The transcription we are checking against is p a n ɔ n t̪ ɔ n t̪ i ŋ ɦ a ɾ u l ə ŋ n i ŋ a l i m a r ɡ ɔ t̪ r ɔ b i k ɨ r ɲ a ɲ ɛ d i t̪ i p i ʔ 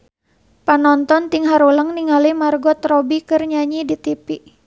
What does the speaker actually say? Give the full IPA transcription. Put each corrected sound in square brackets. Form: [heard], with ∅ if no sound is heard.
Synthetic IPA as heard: p a n ɔ n t̪ ɔ n t̪ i ŋ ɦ a ɾ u l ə ŋ n i ŋ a l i m a r ɡ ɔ t̪ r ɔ b i k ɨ r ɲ a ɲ [i] d i t̪ i p i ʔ